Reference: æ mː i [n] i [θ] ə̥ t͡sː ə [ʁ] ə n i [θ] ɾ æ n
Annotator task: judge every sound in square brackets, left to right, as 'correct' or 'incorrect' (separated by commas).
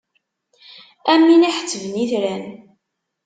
correct, incorrect, incorrect, correct